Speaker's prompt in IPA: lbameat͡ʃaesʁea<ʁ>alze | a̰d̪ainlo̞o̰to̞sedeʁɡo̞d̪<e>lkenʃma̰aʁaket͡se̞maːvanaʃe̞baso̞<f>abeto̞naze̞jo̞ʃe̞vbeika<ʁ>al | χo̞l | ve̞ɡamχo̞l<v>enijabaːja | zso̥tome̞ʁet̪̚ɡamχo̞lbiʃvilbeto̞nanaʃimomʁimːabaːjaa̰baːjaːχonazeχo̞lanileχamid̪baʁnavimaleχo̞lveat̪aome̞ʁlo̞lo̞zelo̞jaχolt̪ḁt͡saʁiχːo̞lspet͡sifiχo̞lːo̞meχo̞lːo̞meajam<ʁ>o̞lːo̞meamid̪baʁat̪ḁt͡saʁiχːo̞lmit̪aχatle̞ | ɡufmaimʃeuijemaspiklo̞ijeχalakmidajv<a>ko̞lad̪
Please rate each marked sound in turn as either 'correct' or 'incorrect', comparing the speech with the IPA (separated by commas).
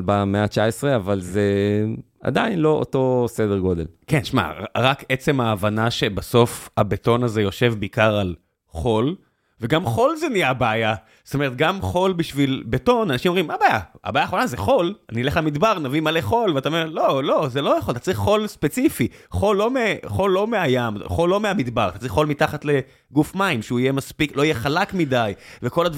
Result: incorrect, correct, correct, correct, incorrect, incorrect, incorrect